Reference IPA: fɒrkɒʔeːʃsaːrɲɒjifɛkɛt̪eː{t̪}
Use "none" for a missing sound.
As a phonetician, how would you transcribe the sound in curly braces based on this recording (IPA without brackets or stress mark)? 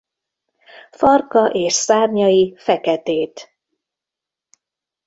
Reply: t̪